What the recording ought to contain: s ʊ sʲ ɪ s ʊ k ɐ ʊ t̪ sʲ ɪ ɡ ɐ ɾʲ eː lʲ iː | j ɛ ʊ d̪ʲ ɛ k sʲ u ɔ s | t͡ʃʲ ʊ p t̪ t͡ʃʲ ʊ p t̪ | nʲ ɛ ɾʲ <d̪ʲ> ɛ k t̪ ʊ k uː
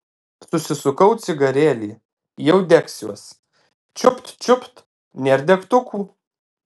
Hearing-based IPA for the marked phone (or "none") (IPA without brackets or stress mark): d̪ʲ